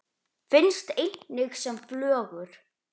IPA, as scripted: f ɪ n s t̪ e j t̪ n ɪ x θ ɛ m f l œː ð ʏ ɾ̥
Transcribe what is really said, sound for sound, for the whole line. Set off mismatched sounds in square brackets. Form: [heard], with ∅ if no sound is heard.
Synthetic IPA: f ɪ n s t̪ e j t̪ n ɪ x [s] ɛ m f l œː [ɣ] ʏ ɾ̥